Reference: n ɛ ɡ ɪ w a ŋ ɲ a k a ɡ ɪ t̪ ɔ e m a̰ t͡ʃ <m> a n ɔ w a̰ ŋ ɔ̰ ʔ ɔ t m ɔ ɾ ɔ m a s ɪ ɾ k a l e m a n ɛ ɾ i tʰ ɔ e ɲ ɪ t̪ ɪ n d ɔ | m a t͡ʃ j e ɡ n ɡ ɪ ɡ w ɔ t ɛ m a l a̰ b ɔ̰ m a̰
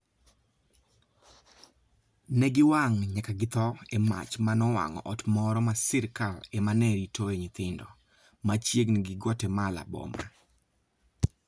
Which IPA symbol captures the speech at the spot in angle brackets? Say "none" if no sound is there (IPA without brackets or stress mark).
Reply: m